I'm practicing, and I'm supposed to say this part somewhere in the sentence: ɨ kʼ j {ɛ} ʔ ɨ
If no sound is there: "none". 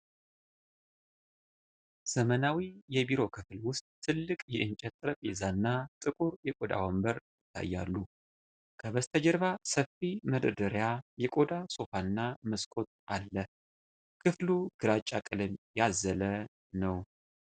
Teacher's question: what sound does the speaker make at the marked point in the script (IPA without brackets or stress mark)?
ɛ